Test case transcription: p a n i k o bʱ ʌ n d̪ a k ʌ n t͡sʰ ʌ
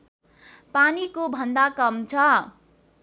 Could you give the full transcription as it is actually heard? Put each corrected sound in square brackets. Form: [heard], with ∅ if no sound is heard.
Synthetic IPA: p a n i k o bʱ ʌ n d̪ a k ʌ [m] t͡sʰ ʌ